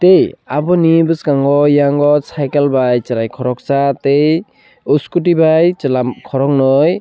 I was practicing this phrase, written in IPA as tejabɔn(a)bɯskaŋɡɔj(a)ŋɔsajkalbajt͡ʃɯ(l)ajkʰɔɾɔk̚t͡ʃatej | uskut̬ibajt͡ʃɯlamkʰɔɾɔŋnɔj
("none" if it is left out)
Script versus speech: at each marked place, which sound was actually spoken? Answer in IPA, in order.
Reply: i, a, ɾ

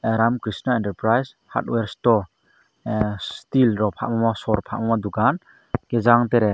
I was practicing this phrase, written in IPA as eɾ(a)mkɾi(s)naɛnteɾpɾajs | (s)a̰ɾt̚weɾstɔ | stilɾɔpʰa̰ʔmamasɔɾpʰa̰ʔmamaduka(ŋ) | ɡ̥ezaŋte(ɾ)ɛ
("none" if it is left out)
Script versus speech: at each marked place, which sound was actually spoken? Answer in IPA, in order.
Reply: a, s, h, n, ɾ

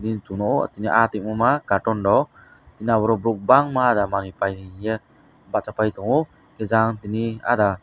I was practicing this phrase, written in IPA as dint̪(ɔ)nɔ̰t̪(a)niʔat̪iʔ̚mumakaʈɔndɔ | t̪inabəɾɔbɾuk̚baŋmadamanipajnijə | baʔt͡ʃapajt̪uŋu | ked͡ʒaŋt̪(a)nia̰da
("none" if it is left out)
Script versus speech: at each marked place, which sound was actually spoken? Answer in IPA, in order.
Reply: u, i, i

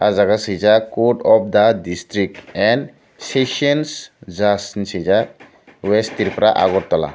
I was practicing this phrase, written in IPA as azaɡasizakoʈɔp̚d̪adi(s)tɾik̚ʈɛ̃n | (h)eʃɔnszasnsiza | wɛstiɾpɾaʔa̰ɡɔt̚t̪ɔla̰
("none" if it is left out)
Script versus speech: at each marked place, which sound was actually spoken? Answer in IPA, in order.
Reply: s, s

